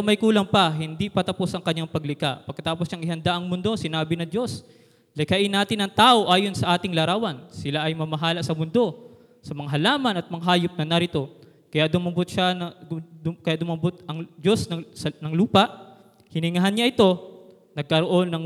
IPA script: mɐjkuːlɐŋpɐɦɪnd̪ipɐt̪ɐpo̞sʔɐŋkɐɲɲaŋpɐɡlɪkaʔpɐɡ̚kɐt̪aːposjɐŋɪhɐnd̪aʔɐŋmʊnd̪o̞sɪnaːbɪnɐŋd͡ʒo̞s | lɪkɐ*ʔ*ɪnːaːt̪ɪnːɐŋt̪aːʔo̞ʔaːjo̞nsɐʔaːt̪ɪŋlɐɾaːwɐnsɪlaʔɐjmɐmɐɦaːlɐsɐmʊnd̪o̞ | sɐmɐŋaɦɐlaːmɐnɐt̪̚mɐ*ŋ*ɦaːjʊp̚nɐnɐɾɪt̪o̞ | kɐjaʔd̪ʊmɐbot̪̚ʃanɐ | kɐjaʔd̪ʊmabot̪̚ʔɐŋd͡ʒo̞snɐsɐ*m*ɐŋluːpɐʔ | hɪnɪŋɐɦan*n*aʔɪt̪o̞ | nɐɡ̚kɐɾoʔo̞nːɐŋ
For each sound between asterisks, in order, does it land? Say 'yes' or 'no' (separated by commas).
yes, yes, no, no